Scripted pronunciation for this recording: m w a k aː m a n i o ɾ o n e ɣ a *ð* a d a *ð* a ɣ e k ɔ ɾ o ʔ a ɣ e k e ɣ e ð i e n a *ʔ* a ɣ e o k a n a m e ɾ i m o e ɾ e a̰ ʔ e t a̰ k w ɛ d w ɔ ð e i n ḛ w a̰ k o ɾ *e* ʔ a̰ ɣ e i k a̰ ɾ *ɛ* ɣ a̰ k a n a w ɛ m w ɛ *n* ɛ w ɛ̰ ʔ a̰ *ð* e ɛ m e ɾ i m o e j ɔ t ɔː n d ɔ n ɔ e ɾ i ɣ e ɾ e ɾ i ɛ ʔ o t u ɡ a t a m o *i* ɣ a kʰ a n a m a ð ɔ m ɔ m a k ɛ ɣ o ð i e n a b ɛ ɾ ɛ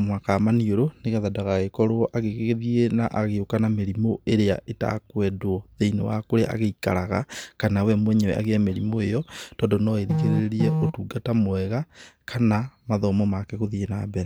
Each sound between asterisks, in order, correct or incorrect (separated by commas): correct, incorrect, correct, correct, incorrect, incorrect, incorrect, incorrect